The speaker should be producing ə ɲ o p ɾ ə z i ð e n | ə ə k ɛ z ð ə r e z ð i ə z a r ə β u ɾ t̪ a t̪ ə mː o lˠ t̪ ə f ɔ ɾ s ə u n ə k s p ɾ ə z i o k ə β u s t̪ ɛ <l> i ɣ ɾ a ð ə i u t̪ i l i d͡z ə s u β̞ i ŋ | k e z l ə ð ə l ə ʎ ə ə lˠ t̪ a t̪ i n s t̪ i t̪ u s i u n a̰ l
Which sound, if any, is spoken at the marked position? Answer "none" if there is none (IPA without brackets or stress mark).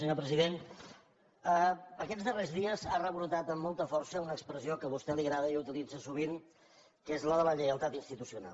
l